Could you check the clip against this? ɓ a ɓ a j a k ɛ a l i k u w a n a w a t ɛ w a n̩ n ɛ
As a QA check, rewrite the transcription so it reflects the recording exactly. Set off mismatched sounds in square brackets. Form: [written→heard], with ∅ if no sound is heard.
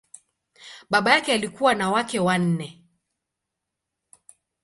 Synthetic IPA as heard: ɓ a ɓ a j a k ɛ a l i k u w a n a w a [t→k] ɛ w a n̩ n ɛ